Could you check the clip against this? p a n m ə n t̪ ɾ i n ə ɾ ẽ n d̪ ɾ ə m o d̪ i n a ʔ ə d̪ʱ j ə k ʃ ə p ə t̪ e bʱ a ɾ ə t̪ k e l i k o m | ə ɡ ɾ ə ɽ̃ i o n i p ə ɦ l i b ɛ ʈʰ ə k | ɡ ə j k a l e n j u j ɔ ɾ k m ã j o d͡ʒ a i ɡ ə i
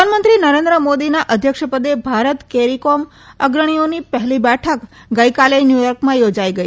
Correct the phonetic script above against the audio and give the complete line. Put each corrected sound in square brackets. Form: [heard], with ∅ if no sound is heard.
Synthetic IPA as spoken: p a n m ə n t̪ ɾ i n ə ɾ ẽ n d̪ ɾ ə m o d̪ i n a ʔ ə d̪ʱ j ə k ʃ ə p ə [d̪] e bʱ a ɾ ə t̪ k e [ɾ] i k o m | ə ɡ ɾ ə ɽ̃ i o n i p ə ɦ l i b ɛ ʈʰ ə k | ɡ ə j k a l e n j u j ɔ ɾ k m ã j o d͡ʒ a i ɡ ə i